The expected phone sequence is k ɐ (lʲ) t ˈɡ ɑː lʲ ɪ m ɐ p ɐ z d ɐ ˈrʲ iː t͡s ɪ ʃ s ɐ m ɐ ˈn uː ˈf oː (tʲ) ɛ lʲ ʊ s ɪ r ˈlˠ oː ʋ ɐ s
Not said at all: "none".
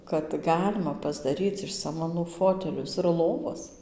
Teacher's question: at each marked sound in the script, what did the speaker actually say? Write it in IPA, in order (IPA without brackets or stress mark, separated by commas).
none, tʲ